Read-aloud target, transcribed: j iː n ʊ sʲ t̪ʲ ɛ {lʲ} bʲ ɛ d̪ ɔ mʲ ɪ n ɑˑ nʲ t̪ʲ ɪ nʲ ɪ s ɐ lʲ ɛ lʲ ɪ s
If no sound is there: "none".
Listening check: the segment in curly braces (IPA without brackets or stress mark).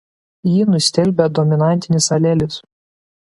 lʲ